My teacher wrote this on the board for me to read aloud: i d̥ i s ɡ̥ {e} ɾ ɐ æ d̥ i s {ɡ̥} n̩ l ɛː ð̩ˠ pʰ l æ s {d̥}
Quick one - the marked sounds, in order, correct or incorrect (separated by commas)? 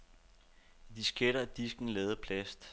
correct, correct, correct